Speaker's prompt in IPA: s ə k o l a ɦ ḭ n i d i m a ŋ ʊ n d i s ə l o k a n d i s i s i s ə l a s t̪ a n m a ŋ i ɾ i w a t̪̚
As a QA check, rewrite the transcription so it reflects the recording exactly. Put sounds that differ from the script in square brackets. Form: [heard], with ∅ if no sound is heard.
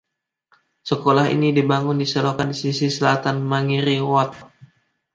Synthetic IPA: s ə k o l a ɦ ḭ n i d i [b] a ŋ ʊ n d i s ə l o k a n d i s i s i s ə l a [∅] t̪ a n m a ŋ i ɾ i w a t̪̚

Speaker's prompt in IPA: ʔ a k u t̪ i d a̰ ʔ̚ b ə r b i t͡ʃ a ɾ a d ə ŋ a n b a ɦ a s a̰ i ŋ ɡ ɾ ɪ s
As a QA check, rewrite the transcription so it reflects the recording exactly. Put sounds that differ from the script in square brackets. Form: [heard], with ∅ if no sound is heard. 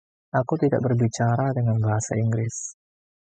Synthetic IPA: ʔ a k u t̪ i d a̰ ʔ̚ b ə r b i t͡ʃ a ɾ a d ə ŋ a n b a ɦ a s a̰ i ŋ ɡ ɾ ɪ s

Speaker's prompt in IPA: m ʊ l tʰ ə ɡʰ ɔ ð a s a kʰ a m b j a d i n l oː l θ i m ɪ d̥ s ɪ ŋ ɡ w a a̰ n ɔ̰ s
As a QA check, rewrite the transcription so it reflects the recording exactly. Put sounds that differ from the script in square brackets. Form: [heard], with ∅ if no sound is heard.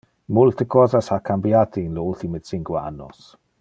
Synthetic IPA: m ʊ l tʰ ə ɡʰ ɔ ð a s a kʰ a m b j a d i n l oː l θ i m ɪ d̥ s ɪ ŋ ɡ w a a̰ n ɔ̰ s

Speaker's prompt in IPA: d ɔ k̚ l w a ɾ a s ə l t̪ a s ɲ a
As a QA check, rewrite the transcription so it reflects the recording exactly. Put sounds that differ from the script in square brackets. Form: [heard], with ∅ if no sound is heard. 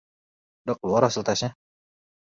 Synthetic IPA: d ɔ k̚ l [u] a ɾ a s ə l t̪ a s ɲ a

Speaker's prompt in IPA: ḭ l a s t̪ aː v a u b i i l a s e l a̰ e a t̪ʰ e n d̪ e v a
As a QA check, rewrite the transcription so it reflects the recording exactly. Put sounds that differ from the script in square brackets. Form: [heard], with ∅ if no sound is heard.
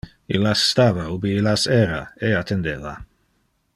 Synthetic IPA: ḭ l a s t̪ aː v a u b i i l a s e [ɾ] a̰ e a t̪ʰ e n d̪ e v a

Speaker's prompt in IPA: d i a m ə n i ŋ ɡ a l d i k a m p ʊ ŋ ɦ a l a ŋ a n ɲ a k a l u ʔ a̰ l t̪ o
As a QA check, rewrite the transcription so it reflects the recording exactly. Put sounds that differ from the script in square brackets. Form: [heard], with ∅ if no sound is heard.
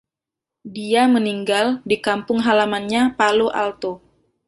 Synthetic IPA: d i a m ə n i ŋ ɡ a l d i k a m p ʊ ŋ ɦ a l a [m] a n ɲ a [p] a l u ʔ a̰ l t̪ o

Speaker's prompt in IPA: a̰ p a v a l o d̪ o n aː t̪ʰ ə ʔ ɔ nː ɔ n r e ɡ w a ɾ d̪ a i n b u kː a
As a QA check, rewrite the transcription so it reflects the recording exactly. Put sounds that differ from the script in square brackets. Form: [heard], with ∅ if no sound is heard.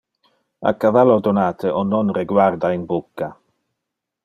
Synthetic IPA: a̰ [k] a v a l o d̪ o n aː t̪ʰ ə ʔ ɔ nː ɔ n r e ɡ w a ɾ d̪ a i n b u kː a

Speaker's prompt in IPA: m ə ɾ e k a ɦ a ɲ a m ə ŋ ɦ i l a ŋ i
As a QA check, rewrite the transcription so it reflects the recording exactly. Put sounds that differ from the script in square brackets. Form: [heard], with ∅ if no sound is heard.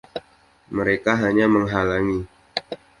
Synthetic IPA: m ə ɾ e k a ɦ a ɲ a m ə ŋ ɦ [a] l a ŋ i

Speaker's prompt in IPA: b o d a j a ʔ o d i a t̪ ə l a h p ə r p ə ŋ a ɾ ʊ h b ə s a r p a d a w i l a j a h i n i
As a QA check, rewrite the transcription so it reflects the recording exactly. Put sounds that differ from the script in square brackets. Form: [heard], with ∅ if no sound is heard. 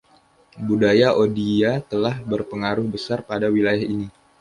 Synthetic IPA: b [u] d a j a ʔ o d i a t̪ ə l a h [b] ə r p ə ŋ a ɾ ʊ h b ə s a r p a d a w i l a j a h i n i

